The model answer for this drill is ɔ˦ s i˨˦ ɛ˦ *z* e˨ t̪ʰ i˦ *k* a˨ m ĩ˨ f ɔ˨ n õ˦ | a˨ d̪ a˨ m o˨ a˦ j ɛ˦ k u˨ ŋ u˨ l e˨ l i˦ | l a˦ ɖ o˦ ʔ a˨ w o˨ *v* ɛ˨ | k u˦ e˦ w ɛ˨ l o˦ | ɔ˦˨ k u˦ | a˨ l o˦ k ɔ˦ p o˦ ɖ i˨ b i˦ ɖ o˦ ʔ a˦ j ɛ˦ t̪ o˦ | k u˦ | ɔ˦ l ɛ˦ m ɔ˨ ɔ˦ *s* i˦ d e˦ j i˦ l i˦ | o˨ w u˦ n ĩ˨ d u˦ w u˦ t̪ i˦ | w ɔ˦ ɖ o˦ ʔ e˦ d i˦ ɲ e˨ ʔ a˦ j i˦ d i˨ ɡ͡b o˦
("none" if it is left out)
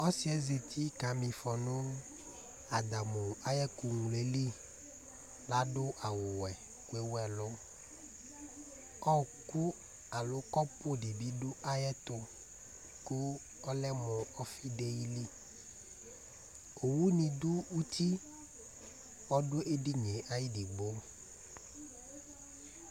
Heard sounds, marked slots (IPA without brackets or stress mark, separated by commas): z, k, w, f